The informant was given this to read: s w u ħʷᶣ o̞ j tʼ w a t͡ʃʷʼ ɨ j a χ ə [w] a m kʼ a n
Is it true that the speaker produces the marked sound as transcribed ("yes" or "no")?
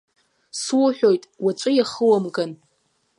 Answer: yes